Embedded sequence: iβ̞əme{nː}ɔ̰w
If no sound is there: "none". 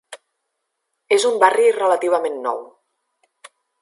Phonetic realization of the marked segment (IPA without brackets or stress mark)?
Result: nː